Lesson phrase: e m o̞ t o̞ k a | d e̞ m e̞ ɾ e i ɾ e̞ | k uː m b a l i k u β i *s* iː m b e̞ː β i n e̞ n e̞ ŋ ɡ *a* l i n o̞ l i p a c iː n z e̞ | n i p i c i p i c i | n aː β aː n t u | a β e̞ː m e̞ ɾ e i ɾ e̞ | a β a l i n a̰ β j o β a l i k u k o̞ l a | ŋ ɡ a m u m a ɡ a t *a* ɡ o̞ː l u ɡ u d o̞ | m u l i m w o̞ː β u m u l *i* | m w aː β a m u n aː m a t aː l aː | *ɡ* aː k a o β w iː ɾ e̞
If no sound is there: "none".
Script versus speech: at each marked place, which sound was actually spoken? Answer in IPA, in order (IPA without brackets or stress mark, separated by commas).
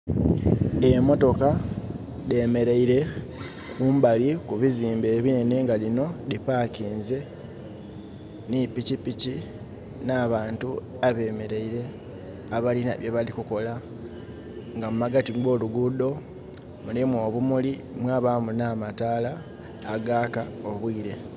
z, a, i, i, ɡ